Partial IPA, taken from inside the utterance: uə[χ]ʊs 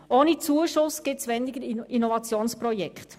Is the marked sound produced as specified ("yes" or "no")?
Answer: no